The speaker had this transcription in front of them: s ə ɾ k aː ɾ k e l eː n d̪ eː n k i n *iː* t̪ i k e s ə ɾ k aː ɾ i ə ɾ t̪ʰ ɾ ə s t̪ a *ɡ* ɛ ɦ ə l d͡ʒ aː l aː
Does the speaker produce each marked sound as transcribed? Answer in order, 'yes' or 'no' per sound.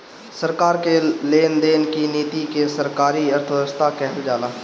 yes, no

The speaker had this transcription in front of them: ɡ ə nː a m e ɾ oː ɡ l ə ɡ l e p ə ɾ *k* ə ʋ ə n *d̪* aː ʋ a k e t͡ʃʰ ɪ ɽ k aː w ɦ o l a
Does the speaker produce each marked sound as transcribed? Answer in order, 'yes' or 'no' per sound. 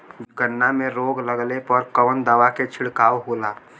yes, yes

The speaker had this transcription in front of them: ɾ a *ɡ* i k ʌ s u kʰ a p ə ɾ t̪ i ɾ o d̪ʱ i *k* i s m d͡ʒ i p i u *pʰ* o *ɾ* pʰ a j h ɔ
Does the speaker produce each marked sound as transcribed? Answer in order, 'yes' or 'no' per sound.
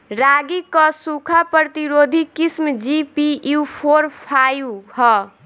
yes, yes, yes, yes

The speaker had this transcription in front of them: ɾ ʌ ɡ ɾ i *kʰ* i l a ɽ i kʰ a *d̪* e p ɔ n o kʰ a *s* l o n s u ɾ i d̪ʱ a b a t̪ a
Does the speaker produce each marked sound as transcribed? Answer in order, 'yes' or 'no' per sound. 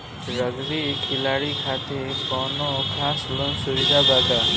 yes, no, yes

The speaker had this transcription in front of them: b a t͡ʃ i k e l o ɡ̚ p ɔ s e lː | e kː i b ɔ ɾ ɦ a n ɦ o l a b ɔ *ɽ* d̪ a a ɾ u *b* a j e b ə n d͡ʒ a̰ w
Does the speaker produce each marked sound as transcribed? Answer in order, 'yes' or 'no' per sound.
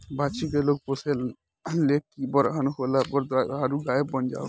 no, no

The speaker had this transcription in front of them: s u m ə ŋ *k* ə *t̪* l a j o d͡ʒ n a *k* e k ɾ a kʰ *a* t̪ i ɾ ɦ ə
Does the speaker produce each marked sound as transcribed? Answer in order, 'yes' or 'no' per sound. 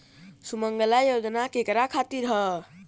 no, no, yes, yes

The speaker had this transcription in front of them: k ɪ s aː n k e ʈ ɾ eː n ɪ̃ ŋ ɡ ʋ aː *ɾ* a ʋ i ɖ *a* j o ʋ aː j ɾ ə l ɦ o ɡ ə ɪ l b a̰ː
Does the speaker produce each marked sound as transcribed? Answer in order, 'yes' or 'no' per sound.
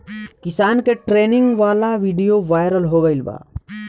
no, no

